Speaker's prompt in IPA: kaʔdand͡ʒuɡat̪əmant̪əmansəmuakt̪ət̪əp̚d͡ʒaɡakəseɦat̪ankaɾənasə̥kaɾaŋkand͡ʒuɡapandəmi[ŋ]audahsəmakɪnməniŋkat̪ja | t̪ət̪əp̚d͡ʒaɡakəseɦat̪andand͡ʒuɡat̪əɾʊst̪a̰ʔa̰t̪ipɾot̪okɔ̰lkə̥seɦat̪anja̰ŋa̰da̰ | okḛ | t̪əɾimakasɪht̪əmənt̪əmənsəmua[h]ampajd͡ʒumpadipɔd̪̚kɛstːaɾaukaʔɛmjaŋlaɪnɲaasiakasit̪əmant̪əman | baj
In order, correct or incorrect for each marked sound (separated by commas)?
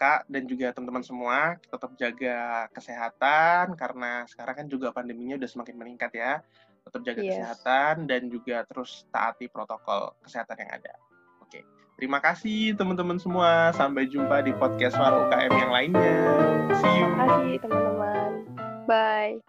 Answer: incorrect, incorrect